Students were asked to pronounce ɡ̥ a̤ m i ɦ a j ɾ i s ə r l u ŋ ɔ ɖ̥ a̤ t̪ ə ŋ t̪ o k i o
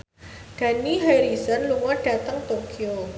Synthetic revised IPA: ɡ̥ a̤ n i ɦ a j ɾ i s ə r l u ŋ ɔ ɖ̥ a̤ t̪ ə ŋ t̪ o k i o

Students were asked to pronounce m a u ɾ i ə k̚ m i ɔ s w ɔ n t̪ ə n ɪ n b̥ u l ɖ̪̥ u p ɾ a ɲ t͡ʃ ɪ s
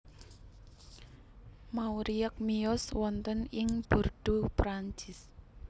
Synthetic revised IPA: m a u ɾ i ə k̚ m i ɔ s w ɔ n t̪ ə n ɪ ŋ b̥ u r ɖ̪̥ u p ɾ a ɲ t͡ʃ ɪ s

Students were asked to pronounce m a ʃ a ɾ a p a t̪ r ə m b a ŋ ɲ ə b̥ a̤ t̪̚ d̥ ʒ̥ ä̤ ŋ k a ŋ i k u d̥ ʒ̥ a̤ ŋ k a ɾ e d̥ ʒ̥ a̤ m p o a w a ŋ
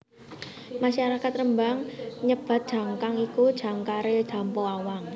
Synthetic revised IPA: m a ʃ a ɾ a k a t̪ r ə m b a ŋ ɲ ə b̥ a̤ t̪̚ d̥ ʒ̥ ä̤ ŋ k a ŋ i k u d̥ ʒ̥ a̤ ŋ k a ɾ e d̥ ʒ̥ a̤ m p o a w a ŋ

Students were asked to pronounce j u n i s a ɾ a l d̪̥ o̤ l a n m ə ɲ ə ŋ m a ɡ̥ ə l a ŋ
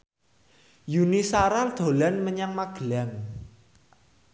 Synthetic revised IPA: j u n i s a ɾ a l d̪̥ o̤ l a n m ə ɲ a ŋ m a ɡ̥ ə l a ŋ

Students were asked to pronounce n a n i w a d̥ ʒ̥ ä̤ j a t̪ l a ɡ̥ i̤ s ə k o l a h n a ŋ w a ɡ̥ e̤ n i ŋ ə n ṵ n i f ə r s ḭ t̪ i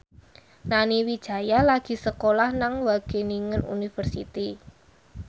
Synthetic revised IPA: n a n i w i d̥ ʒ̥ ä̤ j a l a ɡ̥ i̤ s ə k o l a h n a ŋ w a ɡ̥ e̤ n i ŋ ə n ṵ n i f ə r s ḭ t̪ i

